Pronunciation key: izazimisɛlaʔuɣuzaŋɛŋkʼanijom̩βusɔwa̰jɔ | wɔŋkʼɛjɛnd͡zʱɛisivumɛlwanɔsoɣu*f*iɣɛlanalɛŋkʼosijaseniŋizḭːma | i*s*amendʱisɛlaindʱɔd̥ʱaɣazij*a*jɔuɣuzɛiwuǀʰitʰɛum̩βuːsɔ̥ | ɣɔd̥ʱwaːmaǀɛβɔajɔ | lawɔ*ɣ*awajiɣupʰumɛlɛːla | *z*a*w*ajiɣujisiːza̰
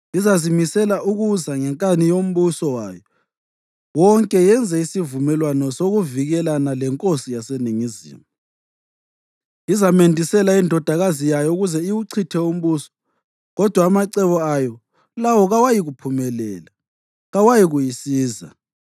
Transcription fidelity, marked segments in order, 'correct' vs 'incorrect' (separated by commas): incorrect, incorrect, correct, correct, incorrect, correct